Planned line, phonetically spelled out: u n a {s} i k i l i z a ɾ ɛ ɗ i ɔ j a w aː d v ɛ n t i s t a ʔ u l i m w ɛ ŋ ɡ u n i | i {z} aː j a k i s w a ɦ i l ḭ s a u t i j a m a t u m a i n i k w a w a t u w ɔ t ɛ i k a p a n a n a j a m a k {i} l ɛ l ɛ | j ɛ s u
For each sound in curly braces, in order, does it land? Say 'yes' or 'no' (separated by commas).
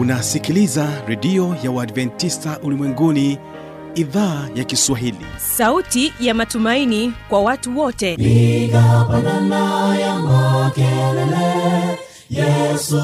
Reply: yes, no, no